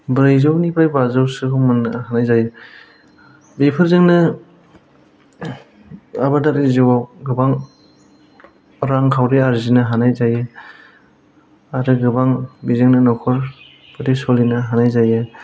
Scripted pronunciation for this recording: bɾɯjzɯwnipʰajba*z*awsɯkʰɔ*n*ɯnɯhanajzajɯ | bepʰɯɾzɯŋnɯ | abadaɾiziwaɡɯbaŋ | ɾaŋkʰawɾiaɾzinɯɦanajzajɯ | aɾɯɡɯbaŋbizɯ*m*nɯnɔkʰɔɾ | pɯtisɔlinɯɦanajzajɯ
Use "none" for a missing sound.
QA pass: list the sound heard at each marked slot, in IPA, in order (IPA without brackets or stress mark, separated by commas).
z, m, ŋ